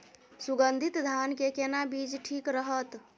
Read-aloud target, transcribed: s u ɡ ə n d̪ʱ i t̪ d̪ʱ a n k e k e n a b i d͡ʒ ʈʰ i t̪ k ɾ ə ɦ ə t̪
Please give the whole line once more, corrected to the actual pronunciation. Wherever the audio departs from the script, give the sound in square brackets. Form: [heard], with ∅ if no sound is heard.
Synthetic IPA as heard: s u ɡ ə n d̪ʱ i t̪ d̪ʱ a n k e k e n a b i d͡ʒ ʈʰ i [∅] k ɾ ə ɦ ə t̪